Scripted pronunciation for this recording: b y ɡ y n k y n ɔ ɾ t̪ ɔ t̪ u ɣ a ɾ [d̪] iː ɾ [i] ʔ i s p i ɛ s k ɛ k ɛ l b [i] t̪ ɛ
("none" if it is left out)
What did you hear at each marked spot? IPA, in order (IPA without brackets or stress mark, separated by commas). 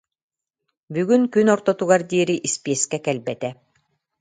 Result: d̪, i, ɛ